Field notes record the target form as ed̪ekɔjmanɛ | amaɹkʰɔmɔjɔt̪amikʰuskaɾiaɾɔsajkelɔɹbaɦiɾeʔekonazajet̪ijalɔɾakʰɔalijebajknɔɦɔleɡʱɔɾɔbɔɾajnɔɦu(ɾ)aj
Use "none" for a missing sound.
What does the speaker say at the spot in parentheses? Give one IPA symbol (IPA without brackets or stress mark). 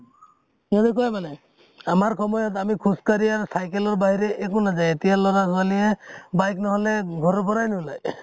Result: l